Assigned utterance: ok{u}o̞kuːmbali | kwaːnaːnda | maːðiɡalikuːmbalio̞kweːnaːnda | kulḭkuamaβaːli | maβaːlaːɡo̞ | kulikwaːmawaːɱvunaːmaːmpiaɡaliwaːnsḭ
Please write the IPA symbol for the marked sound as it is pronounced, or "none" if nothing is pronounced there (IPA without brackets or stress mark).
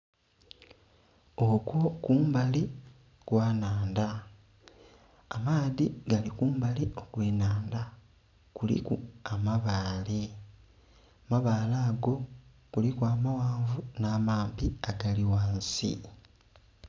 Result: w